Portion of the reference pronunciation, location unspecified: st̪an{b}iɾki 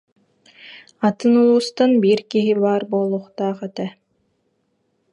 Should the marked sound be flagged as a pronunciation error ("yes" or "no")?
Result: no